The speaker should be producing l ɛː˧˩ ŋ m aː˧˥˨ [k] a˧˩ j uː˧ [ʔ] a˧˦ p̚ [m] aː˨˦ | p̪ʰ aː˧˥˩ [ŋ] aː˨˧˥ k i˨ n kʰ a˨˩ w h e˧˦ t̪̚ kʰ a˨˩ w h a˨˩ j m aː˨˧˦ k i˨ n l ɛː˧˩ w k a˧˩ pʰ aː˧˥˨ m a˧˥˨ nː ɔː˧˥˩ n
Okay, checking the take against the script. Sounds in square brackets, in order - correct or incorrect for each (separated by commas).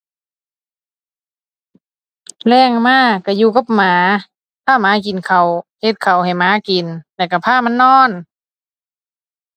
correct, incorrect, correct, incorrect